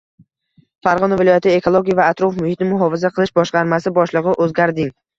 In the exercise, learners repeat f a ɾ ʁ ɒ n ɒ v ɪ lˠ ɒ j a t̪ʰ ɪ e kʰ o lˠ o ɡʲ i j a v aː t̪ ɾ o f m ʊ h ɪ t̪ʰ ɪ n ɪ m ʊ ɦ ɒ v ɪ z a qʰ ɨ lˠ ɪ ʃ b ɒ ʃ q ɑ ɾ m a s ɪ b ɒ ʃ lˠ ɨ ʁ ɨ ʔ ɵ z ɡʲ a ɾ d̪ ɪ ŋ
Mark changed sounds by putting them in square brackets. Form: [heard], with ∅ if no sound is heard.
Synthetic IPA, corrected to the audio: f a ɾ ʁ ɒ n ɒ v ɪ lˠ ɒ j a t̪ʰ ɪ e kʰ o lˠ o ɡʲ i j a v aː t̪ ɾ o f m ʊ h ɪ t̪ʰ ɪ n ɪ m ʊ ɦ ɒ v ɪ z a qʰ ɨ lˠ ɪ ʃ b ɒ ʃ q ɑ ɾ m a s ɪ b ɒ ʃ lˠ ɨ ʁ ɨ ʔ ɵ z ɡʲ a ɾ d̪ ɪ ŋ